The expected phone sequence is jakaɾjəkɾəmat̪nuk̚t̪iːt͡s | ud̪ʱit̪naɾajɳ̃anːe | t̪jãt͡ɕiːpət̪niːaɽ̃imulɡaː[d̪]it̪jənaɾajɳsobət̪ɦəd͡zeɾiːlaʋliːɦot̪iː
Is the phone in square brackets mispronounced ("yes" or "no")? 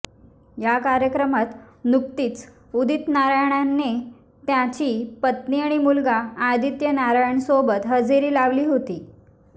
no